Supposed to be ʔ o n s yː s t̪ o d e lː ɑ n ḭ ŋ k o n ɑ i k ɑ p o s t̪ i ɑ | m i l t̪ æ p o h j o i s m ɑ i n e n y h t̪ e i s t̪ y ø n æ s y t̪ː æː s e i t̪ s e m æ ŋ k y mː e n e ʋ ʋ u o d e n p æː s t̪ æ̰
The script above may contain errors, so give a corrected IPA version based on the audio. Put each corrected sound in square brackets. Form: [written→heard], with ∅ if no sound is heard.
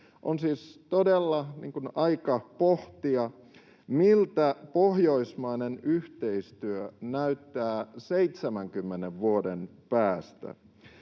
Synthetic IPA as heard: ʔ o n s [yː→iː] s t̪ o d e lː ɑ n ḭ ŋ k [o→u] n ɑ i k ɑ p o [s→h] t̪ i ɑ | m i l t̪ æ p o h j o i s m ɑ i n e n y h t̪ e i s t̪ y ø n æ [s→∅] y t̪ː æː s e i t̪ s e m æ ŋ k y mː e n e ʋ ʋ u o d e n p æː s t̪ æ̰

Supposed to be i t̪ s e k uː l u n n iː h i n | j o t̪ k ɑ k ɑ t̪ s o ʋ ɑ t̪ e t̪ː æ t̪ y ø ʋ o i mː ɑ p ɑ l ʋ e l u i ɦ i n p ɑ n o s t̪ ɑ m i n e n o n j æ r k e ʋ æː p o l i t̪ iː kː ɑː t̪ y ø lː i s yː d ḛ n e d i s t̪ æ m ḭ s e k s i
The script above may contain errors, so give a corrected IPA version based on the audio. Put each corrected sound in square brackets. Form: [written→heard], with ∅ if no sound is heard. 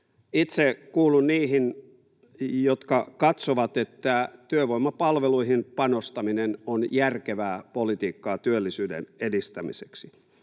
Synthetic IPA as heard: i t̪ s e k uː l u n n iː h i n | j o t̪ k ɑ k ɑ t̪ s o ʋ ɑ t̪ e t̪ː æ t̪ y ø ʋ o i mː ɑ p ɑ l ʋ e l u i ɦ i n p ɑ n o s t̪ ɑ m i n e n o n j æ r k e ʋ æː p o l i t̪ iː kː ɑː t̪ y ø lː i s yː d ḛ n e d i s t̪ æ m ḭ s e k s i

